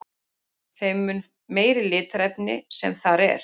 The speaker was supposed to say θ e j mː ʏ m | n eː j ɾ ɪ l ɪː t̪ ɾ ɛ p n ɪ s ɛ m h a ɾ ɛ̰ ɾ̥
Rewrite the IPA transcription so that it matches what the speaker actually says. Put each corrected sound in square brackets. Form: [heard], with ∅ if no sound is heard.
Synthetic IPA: θ e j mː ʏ [n] | [m] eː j ɾ ɪ l ɪː t̪ ɾ ɛ p n ɪ s ɛ m [θ] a ɾ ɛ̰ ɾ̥